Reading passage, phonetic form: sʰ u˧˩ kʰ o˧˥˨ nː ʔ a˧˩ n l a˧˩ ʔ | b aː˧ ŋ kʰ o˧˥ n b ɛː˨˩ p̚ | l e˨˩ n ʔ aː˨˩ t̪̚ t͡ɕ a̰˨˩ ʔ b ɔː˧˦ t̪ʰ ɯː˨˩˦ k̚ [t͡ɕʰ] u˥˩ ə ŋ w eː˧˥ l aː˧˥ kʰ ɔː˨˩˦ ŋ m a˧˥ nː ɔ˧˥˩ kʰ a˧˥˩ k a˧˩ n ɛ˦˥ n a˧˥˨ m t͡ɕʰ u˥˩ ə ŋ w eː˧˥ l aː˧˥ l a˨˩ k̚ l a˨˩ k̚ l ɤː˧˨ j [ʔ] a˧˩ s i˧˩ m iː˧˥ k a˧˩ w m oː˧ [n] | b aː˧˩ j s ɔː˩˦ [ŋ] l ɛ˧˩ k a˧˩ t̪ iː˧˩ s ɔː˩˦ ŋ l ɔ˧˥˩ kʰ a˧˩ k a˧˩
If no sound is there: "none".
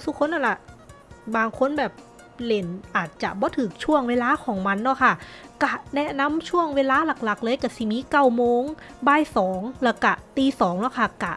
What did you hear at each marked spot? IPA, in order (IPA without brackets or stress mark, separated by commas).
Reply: t͡ɕʰ, k, ŋ, ŋ